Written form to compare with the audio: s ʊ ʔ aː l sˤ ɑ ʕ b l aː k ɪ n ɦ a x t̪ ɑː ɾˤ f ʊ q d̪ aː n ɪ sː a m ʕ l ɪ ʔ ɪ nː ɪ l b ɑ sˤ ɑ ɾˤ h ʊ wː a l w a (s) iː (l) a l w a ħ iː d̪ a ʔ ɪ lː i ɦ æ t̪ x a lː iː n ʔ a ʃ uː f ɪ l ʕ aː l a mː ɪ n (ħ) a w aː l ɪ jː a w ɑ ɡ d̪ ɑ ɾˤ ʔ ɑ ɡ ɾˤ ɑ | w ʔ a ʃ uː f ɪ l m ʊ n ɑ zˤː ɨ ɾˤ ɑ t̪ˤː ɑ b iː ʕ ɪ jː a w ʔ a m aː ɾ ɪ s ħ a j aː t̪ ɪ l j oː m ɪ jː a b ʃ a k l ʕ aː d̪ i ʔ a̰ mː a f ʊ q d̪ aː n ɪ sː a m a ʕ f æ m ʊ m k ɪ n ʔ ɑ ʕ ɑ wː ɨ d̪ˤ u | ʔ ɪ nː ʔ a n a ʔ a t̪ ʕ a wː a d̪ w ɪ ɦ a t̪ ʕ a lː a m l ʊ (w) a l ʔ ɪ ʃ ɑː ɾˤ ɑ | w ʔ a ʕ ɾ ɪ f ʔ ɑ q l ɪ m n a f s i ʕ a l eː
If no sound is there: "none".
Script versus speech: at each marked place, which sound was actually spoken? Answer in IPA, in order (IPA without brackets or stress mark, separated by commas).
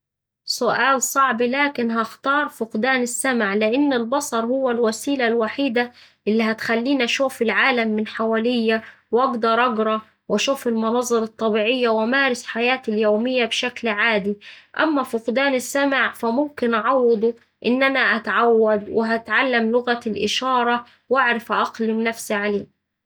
s, l, ħ, ɣ